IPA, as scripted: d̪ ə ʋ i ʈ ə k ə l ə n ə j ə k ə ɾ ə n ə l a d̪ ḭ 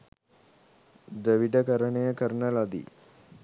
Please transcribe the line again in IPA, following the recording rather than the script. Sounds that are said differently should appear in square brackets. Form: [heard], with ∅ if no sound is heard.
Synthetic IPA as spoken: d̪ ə ʋ i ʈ ə k ə [ɾ] ə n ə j ə k ə ɾ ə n ə l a d̪ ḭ

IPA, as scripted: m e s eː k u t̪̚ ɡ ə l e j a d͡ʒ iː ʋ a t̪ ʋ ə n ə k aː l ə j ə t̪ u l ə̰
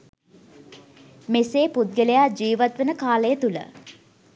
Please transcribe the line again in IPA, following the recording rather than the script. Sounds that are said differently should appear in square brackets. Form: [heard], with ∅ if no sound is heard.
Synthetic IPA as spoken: m e s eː [p] u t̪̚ ɡ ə l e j a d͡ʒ iː ʋ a t̪ ʋ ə n ə k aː l ə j ə t̪ u l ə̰

